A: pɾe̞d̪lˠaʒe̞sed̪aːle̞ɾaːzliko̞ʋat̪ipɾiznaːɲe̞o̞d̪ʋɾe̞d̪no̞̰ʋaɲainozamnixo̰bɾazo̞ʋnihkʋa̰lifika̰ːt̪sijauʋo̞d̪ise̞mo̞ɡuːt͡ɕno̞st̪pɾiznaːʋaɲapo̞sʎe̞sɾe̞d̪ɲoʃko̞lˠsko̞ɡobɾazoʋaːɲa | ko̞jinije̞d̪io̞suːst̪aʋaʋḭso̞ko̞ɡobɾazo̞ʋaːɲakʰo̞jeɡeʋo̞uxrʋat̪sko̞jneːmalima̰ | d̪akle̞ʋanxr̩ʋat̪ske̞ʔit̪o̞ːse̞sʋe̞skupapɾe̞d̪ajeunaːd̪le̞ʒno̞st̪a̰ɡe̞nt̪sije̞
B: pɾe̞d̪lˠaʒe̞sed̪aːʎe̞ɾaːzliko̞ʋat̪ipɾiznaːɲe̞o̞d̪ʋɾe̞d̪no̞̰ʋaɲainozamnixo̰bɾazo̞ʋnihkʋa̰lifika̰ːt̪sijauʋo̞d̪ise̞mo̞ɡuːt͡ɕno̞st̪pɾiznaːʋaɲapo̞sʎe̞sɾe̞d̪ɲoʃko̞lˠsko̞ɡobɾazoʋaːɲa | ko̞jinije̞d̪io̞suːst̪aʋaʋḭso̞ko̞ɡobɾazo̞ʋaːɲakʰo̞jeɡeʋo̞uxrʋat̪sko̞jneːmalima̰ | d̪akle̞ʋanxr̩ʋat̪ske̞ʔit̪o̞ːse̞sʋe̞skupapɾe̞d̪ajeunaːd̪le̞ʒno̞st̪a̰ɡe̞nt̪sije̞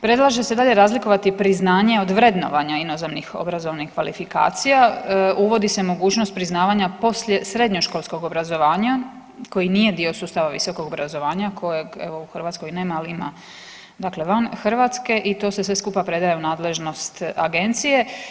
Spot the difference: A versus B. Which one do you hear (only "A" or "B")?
B